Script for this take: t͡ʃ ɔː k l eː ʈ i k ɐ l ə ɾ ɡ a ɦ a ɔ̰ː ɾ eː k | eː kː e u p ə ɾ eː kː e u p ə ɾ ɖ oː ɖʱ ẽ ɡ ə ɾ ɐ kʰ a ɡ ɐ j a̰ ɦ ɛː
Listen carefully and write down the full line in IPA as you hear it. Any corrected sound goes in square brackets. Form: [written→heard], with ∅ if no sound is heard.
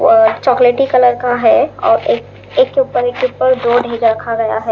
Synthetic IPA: t͡ʃ ɔː k l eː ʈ i k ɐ l ə ɾ [ɡ→k] a ɦ [a→ɛ] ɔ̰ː ɾ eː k | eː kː e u p ə ɾ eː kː e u p ə ɾ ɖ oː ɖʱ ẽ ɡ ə ɾ ɐ kʰ a ɡ ɐ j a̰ ɦ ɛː

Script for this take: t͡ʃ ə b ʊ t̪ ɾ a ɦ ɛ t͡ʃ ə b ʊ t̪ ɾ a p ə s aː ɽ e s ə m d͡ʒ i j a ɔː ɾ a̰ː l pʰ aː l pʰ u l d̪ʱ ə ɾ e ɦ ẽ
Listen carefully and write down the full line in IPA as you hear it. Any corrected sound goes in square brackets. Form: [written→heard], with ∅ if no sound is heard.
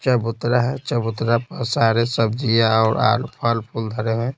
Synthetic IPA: t͡ʃ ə b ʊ t̪ ɾ a ɦ ɛ t͡ʃ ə b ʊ t̪ ɾ a p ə s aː [ɽ→ɾ] e s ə [m→b] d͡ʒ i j a ɔː ɾ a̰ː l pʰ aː l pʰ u l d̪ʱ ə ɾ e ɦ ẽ

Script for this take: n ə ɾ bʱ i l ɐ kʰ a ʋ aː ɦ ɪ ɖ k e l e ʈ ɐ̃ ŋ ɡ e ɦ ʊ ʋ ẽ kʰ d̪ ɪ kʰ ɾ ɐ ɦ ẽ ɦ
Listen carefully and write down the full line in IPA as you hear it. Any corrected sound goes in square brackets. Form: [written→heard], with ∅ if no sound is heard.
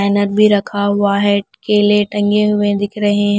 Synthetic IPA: n ə ɾ bʱ i [l→ɾ] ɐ kʰ a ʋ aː ɦ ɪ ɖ k e l e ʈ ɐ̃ ŋ ɡ e ɦ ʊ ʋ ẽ [kʰ→∅] d̪ ɪ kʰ ɾ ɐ ɦ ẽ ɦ

